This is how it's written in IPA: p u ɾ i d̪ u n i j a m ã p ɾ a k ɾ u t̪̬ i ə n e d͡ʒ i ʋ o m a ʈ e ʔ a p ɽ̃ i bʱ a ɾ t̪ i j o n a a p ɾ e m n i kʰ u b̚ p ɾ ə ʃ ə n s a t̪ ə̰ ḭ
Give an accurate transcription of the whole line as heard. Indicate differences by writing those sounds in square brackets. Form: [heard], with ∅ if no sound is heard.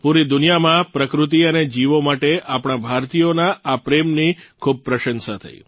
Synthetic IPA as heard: p u ɾ i d̪ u n i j a m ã p ɾ [ə] k ɾ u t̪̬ i ə n e d͡ʒ i ʋ o m a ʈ e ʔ a p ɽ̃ [a] bʱ a ɾ t̪ i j o n a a p ɾ e m n i kʰ u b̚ p ɾ ə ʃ ə n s a [t̪ʰ] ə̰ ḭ